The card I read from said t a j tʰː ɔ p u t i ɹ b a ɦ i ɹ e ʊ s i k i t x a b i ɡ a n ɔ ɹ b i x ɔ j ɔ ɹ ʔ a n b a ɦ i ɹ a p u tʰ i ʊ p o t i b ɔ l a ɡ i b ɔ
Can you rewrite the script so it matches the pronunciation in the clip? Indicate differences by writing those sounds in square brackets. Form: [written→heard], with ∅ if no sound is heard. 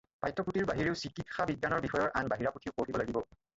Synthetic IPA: [t→p] a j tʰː ɔ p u t i ɹ b a ɦ i ɹ e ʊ s i k i t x a b i ɡ a n ɔ ɹ b i x ɔ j ɔ ɹ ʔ a n b a ɦ i ɹ a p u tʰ i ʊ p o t i b ɔ l a ɡ i b ɔ